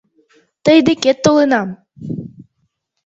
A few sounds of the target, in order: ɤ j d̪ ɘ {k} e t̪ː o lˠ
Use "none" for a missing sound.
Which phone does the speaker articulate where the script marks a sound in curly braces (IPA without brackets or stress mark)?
k